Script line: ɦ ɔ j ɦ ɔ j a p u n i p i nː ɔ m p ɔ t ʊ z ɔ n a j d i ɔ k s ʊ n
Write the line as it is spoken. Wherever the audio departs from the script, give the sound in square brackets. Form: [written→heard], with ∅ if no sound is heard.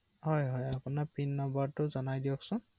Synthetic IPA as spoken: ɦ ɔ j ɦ ɔ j a p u n [i→a] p i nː ɔ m [p→b] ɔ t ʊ z ɔ n a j d i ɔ k s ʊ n

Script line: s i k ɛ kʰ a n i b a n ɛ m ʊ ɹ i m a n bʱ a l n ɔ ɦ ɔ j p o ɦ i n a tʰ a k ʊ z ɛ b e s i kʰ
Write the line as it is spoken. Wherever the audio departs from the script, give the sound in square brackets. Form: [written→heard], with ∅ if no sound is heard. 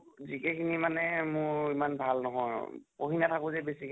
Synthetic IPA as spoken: [s→z] i k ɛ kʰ [a→i] n i [b→m] a n ɛ m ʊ ɹ i m a n bʱ a l n ɔ ɦ ɔ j p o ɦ i n a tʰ a k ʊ z ɛ b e s i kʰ

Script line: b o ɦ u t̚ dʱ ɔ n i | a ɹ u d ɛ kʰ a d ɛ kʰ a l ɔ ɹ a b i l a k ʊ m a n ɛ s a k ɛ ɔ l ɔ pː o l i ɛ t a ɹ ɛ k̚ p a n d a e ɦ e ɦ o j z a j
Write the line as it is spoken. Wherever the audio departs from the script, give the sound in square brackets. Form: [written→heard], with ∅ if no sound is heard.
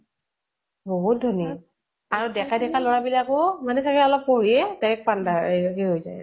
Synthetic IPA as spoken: b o ɦ u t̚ dʱ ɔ n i | a ɹ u d ɛ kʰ a d ɛ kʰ a l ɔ ɹ a b i l a k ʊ m a n ɛ s a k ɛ ɔ l ɔ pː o [l→ɹ] i ɛ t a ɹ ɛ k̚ p a n d a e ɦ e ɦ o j z a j

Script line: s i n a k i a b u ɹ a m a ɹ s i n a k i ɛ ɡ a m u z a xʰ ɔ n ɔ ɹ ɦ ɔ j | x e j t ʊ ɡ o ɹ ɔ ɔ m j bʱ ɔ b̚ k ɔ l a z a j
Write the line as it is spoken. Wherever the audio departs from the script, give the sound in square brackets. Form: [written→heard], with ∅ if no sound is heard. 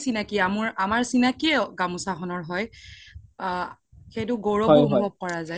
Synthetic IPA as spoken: s i n a k i a [b→m] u ɹ a m a ɹ s i n a k i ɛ ɡ a m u [z→s] a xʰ ɔ n ɔ ɹ ɦ ɔ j | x e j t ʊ ɡ o ɹ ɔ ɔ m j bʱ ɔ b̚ k ɔ [l→ɹ] a z a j

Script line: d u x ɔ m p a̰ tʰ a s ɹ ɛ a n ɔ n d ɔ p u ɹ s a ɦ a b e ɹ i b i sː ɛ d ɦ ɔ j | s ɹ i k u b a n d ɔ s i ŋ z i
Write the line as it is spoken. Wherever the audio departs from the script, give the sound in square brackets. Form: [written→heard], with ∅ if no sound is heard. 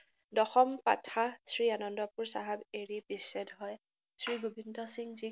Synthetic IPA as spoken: d [u→ɔ] x ɔ m p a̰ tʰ a s ɹ [ɛ→i] a n ɔ n d ɔ p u ɹ s a ɦ a b e ɹ i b i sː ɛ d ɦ ɔ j | s ɹ i [k→ɡ] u b [a→i] n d ɔ s i ŋ z i

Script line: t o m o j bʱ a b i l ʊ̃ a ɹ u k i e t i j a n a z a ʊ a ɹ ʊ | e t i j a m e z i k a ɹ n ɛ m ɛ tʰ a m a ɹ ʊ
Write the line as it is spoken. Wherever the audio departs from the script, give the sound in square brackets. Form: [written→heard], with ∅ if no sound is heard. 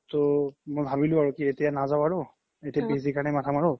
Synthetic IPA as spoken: t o m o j bʱ a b i l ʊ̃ a ɹ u k i e t i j a n a z a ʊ a ɹ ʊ | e t i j a [m→b] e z i k a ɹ n ɛ m [ɛ→a] tʰ a m a ɹ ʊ

